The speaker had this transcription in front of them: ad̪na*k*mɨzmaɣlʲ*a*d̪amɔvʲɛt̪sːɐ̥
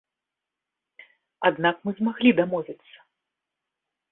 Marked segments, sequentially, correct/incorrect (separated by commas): correct, incorrect